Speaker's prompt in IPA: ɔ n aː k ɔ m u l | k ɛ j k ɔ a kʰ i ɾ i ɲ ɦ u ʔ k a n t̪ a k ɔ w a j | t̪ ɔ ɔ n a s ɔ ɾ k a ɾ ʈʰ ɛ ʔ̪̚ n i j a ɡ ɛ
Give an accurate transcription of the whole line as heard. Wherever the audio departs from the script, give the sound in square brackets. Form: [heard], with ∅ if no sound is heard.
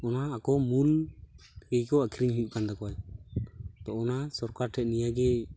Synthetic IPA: ɔ n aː k ɔ m u l | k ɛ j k ɔ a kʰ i ɾ i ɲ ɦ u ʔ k a n [d̪] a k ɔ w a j | t̪ ɔ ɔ n a s ɔ ɾ k a ɾ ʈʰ ɛ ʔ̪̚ n i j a ɡ ɛ